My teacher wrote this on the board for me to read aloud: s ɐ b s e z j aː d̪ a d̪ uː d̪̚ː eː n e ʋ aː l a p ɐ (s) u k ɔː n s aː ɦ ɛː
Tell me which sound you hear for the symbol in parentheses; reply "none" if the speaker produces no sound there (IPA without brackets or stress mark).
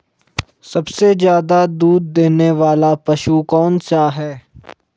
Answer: ʃ